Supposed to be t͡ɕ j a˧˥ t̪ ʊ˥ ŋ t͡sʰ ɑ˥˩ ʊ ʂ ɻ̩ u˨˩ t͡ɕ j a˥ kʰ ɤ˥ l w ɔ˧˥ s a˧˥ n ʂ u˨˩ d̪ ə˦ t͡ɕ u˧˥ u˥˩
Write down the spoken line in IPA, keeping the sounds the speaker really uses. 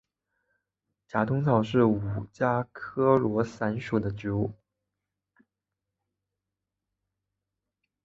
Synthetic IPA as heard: t͡ɕ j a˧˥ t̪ ʊ˥ ŋ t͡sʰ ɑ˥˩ ʊ ʂ ɻ̩ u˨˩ t͡ɕ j a˥ kʰ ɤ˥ l w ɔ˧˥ s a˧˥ n ʂ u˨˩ d̪ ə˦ t͡ɕ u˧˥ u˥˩